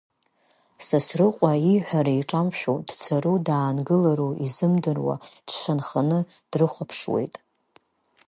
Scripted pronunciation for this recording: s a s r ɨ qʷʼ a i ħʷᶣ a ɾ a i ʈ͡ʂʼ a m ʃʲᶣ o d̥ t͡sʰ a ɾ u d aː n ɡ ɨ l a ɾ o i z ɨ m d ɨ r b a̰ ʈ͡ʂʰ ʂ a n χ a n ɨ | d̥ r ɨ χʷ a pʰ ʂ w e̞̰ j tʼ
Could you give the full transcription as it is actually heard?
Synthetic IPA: s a s r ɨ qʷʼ a i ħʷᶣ a ɾ a i ʈ͡ʂʼ a m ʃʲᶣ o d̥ t͡sʰ a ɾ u d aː n ɡ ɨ l a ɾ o i z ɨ m d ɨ r w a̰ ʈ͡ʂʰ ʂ a n χ a n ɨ | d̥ r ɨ χʷ a pʰ ʂ w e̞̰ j tʼ

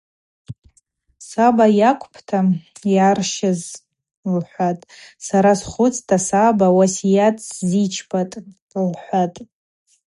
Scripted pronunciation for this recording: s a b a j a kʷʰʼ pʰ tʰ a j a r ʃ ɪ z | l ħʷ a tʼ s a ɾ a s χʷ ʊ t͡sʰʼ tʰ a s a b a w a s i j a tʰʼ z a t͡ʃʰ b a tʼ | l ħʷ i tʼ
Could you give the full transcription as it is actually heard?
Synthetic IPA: s a b a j a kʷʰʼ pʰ tʰ a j a r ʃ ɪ z | l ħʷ a tʼ s a ɾ a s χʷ ʊ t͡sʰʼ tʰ a s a b a w a s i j a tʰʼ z i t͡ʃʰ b a tʼ | l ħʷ a tʼ

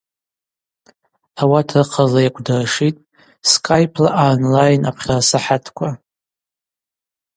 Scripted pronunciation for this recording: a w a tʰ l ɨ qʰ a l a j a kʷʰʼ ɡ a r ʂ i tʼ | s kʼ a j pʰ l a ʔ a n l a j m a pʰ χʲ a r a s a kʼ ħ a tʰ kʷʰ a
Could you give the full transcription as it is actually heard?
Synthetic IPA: a w a tʰ r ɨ qʰ a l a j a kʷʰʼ d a r ʂ i tʼ | s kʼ a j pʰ l a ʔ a n l a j n a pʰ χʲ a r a s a ħ a tʰ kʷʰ a

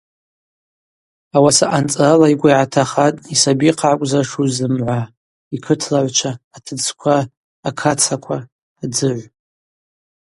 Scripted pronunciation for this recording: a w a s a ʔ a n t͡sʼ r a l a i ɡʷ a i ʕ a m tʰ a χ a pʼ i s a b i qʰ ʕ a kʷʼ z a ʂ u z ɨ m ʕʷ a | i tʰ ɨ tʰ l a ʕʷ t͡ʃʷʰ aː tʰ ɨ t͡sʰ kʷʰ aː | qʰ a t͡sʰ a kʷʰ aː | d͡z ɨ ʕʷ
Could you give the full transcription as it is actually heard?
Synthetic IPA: a w a s a ʔ a n t͡sʼ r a l a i ɡʷ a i ʕ a tʰ a χ a tʼ i s a b i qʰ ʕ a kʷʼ z a ʂ u z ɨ m ʕʷ a | i kʰ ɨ tʰ l a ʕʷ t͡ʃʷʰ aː tʰ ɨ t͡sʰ kʷʰ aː | kʰ a t͡sʰ a kʷʰ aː | d͡z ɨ ʕʷ

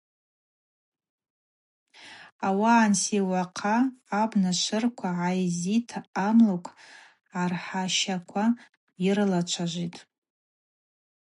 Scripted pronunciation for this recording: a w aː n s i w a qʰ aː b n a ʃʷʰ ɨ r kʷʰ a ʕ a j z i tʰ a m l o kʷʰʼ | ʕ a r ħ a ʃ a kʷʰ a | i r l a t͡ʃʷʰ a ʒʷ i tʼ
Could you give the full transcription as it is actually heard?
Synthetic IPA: a w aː n s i w a qʰ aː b n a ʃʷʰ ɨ r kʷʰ a ʕ a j z i tʰ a m l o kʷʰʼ | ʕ a r ħ a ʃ a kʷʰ a | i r l a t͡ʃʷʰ a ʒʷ i tʼ

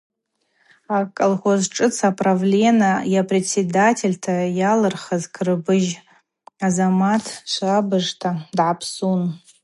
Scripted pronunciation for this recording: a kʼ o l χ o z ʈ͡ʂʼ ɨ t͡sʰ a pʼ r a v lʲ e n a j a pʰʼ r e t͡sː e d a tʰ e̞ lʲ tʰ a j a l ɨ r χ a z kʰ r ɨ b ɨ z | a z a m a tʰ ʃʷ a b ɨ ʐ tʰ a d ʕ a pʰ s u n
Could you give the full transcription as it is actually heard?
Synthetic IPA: a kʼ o l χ o z ʈ͡ʂʼ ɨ t͡sʰ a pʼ r a v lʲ e n a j a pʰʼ r e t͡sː e d a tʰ e̞ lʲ tʰ a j a l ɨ r χ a z kʰ r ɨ b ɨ ʒ | a z a m a tʰ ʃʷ a b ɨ ʐ tʰ a d ʕ a pʰ s u n

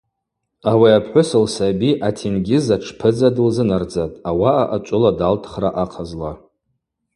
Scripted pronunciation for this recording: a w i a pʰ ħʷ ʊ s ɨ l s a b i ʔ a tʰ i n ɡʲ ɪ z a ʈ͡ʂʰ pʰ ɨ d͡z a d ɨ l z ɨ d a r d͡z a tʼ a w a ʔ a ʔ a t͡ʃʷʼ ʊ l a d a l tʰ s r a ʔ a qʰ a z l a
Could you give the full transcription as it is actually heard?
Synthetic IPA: a w i a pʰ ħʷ ʊ s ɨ l s a b i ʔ a tʰ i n ɡʲ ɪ z a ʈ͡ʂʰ pʰ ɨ d͡z a d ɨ l z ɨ n a r d͡z a tʼ a w a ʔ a ʔ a t͡ʃʷʼ ʊ l a d a l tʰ χ r a ʔ a qʰ a z l a

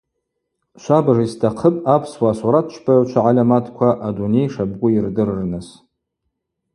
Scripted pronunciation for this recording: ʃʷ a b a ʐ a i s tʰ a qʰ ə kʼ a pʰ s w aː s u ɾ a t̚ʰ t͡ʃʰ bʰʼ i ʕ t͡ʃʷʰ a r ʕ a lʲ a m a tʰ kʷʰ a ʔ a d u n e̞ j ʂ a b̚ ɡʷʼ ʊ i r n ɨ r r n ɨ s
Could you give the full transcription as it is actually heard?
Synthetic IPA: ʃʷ a b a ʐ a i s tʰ a qʰ ə pʼ a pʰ s w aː s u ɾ a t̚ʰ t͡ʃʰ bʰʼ a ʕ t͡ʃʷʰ a ʕ a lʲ a m a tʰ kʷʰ a ʔ a d u n e̞ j ʂ a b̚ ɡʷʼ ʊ i r d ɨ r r n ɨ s

